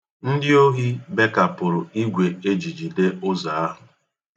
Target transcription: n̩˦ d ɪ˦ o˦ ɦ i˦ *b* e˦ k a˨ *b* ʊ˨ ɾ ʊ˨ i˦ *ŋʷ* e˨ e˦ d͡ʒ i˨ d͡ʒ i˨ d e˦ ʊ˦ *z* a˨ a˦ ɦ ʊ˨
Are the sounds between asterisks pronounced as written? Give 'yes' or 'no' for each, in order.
yes, no, no, yes

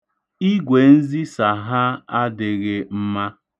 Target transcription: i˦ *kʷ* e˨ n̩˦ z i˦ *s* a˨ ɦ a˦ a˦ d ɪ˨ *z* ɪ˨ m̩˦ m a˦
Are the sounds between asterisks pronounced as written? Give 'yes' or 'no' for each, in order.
no, yes, no

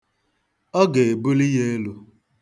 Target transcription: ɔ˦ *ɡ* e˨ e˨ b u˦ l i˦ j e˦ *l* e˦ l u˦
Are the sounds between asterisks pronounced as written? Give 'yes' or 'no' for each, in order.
yes, no

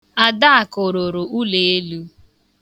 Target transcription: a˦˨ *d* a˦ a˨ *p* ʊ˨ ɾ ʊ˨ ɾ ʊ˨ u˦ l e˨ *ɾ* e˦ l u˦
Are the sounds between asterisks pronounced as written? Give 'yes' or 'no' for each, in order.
yes, no, no

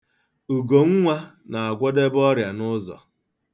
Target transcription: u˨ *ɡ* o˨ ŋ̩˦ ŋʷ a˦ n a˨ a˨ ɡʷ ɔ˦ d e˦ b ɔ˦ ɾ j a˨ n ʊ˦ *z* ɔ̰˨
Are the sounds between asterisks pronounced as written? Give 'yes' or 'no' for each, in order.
yes, yes

